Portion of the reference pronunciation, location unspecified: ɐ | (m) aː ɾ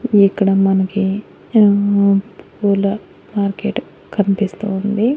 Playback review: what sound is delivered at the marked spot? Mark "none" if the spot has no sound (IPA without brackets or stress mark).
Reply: m